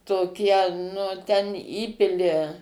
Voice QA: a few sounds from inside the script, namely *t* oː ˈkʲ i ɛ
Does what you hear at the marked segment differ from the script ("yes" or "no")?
no